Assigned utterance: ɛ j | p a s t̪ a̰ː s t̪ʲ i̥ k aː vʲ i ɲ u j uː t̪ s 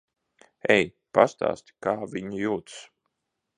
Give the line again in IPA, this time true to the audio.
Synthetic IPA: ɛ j | p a s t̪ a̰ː s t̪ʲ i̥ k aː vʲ i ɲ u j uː t̪ s